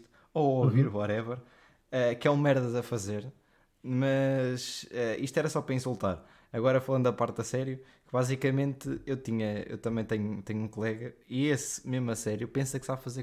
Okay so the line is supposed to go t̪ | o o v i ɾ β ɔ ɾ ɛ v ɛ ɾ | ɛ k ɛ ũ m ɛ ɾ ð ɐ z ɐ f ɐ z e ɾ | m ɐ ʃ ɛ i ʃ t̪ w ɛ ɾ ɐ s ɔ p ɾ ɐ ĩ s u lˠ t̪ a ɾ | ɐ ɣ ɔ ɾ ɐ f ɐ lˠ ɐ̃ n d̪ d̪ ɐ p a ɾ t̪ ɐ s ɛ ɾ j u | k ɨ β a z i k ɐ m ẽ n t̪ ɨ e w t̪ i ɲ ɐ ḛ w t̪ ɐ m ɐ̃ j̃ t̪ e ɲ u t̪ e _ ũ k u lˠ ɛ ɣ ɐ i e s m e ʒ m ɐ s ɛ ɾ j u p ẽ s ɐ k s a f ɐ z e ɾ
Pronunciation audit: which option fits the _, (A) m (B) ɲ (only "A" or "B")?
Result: B